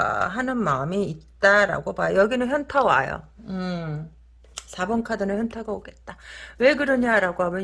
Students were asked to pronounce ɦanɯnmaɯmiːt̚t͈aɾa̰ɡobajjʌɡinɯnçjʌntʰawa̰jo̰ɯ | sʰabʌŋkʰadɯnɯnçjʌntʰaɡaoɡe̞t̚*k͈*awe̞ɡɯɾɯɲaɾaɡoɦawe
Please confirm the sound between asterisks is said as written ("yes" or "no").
no